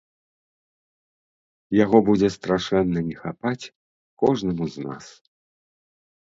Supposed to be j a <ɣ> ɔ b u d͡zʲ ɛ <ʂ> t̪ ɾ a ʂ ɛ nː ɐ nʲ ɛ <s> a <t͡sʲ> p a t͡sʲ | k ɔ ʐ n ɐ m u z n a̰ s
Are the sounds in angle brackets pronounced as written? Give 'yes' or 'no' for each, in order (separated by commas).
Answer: yes, no, no, no